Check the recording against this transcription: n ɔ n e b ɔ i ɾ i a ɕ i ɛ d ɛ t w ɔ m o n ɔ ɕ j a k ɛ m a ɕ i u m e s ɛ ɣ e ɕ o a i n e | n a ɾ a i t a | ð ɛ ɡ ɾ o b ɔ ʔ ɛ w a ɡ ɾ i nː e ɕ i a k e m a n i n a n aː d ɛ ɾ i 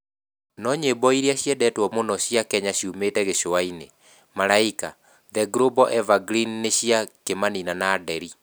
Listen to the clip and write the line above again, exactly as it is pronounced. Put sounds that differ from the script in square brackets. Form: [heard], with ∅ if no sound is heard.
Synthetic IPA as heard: n ɔ [ɲ] e b ɔ i ɾ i a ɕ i ɛ d ɛ t w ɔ m o n ɔ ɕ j a k ɛ [ɲ] a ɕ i u m e [t] ɛ ɣ e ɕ o a i n e | [m] a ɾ a i [k] a | ð ɛ ɡ ɾ o b ɔ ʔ ɛ [v] a ɡ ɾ i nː e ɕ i a k e m a n i n a n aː d ɛ ɾ i